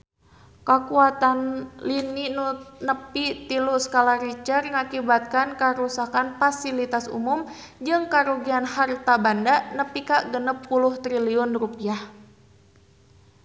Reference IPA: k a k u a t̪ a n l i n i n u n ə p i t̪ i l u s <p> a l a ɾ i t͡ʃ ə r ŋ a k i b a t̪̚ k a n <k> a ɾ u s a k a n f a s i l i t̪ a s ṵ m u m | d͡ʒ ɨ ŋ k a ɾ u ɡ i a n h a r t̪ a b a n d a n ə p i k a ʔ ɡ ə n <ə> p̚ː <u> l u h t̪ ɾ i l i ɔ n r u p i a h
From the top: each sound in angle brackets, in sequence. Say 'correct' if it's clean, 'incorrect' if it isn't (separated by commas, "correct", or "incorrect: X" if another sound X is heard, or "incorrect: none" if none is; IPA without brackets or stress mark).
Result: incorrect: k, correct, correct, correct